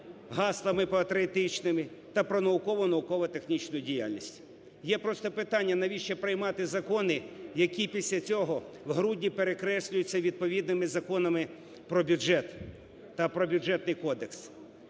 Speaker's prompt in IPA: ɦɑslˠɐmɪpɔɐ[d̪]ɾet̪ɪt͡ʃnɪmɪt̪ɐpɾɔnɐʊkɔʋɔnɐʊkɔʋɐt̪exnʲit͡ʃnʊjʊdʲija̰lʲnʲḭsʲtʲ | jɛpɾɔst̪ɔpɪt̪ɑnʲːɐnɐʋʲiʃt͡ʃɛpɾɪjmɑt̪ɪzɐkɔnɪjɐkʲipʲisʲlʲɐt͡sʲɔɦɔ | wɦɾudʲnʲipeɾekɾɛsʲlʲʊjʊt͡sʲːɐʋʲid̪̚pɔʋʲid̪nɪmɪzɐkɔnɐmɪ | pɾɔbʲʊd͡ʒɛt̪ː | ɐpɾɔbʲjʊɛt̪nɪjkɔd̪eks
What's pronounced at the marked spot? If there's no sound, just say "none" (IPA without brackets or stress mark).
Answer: t̪